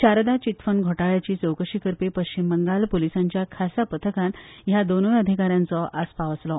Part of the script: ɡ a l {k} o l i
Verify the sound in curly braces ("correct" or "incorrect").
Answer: incorrect